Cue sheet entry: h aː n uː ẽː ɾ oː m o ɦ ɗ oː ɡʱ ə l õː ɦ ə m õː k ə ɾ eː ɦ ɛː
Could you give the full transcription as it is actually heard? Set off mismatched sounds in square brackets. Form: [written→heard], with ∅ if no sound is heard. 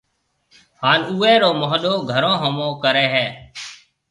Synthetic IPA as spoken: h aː n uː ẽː ɾ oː m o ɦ ɗ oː ɡʱ ə [l→ɾ] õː ɦ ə m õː k ə ɾ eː ɦ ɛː